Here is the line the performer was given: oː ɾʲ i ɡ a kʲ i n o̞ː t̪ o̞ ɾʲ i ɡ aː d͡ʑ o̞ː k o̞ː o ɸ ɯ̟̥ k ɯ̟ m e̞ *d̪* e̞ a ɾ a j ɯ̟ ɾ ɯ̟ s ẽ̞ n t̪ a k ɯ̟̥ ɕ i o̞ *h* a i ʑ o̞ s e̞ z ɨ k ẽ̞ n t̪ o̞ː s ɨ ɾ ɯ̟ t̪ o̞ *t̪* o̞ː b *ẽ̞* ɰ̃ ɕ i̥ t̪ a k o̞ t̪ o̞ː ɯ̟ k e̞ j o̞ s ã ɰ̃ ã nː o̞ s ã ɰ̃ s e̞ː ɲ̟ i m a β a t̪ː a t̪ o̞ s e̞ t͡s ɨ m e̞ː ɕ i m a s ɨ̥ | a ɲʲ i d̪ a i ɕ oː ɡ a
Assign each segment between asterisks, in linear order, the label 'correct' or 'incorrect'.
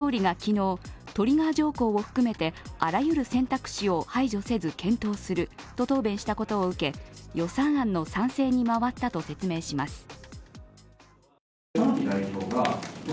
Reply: incorrect, correct, correct, correct

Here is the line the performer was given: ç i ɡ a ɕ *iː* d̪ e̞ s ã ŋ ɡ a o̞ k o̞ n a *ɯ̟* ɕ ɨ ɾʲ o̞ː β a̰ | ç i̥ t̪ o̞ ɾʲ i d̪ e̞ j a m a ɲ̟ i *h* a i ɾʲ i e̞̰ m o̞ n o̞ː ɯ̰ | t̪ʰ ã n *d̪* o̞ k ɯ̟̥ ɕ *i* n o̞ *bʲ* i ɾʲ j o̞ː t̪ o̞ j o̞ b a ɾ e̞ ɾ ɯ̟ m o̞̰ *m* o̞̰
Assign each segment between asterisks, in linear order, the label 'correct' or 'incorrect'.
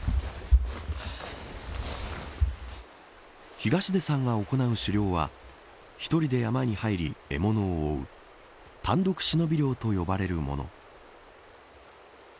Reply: incorrect, correct, correct, correct, correct, correct, incorrect

